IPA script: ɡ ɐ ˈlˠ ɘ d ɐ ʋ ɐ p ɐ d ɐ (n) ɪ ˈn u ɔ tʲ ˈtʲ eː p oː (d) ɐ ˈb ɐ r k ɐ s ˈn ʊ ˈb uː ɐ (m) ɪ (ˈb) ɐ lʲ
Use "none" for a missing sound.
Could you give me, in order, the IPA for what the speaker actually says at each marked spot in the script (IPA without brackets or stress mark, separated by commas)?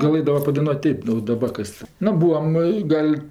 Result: none, d, m, ɡ